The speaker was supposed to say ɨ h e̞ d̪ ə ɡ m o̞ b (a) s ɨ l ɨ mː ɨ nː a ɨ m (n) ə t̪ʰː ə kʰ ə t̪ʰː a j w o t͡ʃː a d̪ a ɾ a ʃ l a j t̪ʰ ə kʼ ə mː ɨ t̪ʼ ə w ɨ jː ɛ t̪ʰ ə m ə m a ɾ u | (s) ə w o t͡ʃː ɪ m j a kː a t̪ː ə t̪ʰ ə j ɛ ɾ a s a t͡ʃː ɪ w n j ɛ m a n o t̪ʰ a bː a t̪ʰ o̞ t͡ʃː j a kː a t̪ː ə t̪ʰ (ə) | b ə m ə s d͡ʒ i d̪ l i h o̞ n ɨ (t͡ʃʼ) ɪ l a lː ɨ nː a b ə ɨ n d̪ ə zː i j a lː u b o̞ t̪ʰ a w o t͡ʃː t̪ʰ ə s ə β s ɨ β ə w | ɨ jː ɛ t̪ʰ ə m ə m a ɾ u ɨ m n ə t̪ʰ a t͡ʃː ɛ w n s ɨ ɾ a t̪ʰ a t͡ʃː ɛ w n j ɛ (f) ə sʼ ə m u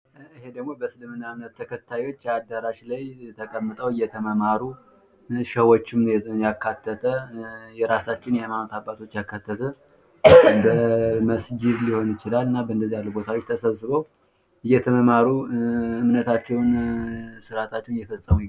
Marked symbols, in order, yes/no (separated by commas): no, yes, no, yes, no, yes